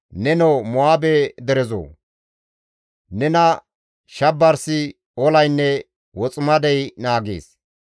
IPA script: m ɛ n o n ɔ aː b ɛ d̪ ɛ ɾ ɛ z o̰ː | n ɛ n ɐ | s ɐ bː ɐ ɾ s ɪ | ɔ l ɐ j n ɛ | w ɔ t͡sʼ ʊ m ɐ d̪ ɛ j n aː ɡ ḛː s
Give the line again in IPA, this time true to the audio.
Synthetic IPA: n ɛ n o m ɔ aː b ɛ d̪ ɛ ɾ ɛ z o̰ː | n ɛ n ɐ | ʃ ɐ bː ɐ ɾ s ɪ | ɔ l ɐ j nː ɛ | w ɔ t͡sʼ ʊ m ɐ d̪ ɛ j n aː ɡ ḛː s

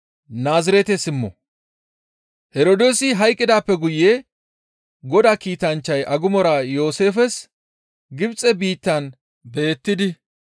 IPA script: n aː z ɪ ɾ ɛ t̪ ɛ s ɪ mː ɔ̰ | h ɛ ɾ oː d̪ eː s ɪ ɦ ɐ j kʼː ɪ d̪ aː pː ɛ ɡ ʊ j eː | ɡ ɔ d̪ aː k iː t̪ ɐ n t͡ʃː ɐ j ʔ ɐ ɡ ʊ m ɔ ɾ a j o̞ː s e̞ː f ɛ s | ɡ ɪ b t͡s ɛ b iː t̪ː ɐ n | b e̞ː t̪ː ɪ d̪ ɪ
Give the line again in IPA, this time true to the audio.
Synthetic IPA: n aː z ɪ ɾ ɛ t̪ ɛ s ɪ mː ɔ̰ | h ɛ ɾ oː d̪ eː s ɪ ɦ ɐ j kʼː ɪ d̪ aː pː ɛ ɡ ʊ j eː | ɡ ɔ d̪ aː k iː t̪ ɐ n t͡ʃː ɐ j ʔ ɐ ɡ ʊ m ɔ ɾ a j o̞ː s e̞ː f ɛ s | ɡ ɪ b t͡sʼ ɛ b iː t̪ː ɐ n | b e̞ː t̪ː ɪ d̪ ɪ

